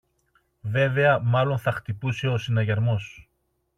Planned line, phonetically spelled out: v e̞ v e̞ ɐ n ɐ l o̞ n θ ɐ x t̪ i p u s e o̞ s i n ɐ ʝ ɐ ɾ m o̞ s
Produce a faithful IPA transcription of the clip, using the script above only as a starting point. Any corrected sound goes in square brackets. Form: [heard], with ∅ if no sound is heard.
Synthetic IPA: v e̞ v e̞ ɐ [m] ɐ l o̞ n θ ɐ x t̪ i p u s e o̞ s i n ɐ ʝ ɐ ɾ m o̞ s